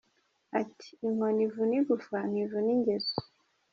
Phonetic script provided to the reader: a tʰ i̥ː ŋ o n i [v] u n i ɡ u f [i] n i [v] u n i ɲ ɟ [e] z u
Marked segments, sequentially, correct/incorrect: correct, incorrect, correct, correct

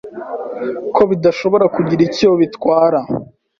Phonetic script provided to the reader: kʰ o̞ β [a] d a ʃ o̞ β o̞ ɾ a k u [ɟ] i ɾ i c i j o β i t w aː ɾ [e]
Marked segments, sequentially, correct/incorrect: incorrect, correct, incorrect

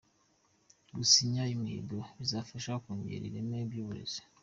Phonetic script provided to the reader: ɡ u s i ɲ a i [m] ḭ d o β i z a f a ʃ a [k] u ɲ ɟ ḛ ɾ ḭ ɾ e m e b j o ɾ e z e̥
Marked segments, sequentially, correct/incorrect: correct, correct

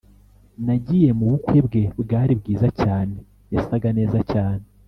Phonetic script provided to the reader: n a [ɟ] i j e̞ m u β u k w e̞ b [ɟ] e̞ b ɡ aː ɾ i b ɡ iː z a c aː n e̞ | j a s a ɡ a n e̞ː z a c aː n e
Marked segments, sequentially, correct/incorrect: correct, incorrect

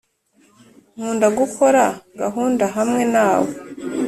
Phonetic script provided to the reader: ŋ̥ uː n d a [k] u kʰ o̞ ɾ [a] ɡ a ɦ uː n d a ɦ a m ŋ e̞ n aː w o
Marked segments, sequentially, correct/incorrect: incorrect, correct

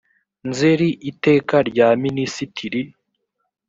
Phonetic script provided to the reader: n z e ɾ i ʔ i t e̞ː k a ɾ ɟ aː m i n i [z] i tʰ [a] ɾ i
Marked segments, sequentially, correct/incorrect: incorrect, incorrect

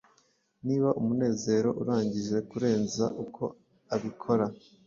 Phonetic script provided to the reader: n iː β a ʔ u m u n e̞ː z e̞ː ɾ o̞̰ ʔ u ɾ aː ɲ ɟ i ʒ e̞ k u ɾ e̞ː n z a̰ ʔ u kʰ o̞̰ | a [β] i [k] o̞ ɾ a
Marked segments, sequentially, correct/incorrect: correct, incorrect

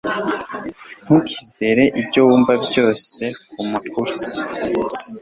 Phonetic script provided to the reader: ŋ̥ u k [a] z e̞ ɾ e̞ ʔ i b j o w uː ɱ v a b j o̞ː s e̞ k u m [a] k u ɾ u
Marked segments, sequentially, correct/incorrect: incorrect, correct

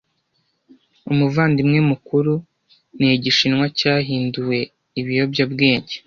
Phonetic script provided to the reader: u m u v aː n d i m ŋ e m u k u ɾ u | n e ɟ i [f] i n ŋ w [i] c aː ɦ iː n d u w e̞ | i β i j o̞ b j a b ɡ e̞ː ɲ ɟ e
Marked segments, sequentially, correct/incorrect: incorrect, incorrect

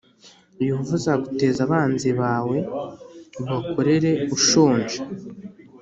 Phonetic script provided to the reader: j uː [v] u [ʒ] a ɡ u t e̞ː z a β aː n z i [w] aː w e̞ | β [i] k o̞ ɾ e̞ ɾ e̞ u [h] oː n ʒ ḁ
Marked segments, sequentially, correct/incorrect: correct, incorrect, incorrect, incorrect, incorrect

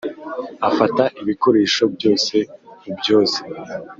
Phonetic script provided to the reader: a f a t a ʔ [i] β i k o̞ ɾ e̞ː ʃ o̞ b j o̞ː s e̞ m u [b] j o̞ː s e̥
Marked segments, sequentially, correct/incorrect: correct, correct

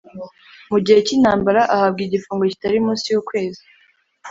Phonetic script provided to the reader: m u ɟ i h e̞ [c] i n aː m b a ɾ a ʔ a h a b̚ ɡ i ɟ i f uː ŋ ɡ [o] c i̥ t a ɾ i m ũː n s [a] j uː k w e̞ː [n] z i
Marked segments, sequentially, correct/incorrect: correct, correct, incorrect, incorrect

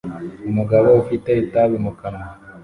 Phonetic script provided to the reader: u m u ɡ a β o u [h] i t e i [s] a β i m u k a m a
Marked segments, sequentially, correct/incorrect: incorrect, incorrect

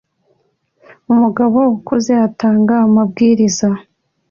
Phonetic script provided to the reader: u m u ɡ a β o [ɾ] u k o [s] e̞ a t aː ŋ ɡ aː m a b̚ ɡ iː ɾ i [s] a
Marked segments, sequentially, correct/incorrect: incorrect, incorrect, incorrect

